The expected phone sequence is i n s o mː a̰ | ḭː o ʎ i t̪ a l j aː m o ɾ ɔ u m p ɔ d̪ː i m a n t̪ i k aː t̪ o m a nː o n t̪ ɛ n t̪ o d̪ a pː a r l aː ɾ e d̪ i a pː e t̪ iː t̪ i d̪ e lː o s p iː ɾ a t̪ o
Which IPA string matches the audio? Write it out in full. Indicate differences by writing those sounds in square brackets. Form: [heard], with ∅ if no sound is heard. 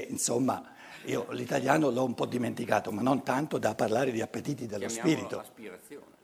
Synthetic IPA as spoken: i n s o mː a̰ | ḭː o [l] i t̪ a l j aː [n] o [l] ɔ u m p ɔ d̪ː i m [e] n t̪ i k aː t̪ o m a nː o n t̪ [a] n t̪ o d̪ a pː a r l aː ɾ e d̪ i a pː e t̪ iː t̪ i d̪ e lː o s p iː ɾ [i] t̪ o